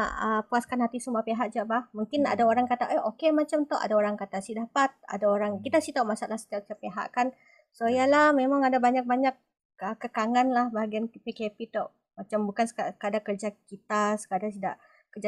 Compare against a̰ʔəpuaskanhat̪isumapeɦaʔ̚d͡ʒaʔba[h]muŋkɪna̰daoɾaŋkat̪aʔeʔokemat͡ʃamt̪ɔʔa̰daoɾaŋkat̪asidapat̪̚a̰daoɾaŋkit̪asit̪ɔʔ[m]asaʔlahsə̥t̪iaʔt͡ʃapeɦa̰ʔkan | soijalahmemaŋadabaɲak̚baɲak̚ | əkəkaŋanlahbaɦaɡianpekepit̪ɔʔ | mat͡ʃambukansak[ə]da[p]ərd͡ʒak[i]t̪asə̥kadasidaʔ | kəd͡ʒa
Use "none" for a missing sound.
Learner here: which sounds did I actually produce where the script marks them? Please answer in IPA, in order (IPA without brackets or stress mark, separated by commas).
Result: h, m, a, k, i